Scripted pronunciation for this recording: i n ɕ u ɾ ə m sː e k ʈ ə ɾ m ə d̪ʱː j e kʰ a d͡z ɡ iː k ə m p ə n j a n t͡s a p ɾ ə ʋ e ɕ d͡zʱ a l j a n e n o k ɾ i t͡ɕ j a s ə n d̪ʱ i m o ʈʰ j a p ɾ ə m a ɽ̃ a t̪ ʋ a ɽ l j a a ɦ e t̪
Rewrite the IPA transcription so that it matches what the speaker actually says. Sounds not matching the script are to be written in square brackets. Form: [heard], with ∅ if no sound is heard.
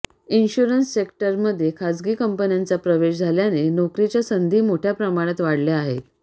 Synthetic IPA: i n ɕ u ɾ ə [n] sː e k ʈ ə ɾ m ə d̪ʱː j e kʰ a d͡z ɡ iː k ə m p ə n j a n t͡s a p ɾ ə ʋ e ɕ d͡zʱ a l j a n e n o k ɾ i t͡ɕ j a s ə n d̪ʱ [iː] m o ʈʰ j a p ɾ ə m a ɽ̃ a t̪ ʋ a ɽ l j a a ɦ e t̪